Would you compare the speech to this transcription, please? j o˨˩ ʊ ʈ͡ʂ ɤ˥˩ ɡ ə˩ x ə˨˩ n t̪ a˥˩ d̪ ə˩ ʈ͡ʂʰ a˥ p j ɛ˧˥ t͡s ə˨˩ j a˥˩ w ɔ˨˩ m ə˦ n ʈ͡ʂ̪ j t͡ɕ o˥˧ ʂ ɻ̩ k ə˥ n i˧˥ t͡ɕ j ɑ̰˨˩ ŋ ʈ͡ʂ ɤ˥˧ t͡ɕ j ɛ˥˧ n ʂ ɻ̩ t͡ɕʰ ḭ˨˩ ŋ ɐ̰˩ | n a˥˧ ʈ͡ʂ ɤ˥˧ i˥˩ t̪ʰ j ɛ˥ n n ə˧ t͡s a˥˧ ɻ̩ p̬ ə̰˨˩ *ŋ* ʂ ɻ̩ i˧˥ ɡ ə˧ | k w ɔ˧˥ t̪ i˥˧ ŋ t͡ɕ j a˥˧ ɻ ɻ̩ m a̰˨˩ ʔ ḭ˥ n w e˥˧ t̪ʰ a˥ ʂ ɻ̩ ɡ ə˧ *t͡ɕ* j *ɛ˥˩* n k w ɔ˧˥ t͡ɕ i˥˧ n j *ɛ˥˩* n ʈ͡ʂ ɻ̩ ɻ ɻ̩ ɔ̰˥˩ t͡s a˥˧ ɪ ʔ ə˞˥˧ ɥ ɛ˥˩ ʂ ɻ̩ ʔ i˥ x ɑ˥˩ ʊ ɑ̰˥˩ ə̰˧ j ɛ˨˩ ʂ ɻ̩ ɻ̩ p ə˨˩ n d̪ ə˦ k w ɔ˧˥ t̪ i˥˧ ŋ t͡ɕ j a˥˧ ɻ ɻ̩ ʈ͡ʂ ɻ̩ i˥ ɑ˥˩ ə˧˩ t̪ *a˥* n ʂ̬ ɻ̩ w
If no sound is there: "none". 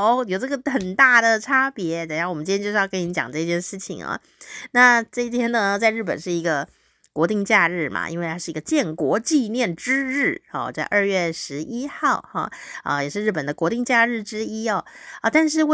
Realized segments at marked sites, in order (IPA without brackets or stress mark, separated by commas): n, t͡ɕ, ɛ˥˩, ɛ˥˩, a˥˧